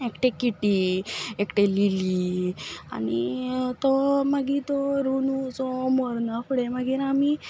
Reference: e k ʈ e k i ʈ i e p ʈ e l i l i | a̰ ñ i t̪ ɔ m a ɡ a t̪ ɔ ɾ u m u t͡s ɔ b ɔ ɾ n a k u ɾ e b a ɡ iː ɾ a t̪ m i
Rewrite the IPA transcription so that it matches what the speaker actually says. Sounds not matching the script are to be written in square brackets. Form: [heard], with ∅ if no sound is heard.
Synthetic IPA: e k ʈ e k i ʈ i e [k] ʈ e l i l i | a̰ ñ i t̪ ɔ m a ɡ [i] t̪ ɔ ɾ u [n] u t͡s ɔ [m] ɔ ɾ n a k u [ɽ] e [m] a ɡ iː ɾ a [∅] m i